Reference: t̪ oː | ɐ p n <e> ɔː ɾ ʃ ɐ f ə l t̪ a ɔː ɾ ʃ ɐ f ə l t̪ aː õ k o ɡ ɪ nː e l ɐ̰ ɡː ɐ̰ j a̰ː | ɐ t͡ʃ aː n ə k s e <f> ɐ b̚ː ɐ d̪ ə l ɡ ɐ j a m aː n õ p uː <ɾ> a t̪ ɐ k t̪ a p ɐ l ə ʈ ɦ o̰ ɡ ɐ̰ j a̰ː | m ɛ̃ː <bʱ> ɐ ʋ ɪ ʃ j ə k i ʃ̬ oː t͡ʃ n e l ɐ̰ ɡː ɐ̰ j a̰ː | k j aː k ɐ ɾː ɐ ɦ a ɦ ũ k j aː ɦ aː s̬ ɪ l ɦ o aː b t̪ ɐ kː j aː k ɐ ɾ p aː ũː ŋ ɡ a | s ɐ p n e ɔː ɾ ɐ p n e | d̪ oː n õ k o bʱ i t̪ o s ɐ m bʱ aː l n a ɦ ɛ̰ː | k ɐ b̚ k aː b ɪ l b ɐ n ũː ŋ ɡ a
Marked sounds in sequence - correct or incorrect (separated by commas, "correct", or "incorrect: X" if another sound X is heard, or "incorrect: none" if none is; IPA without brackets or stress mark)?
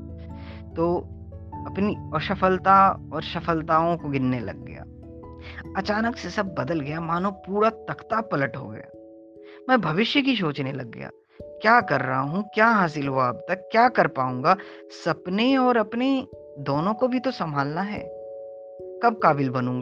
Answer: incorrect: i, incorrect: s, correct, correct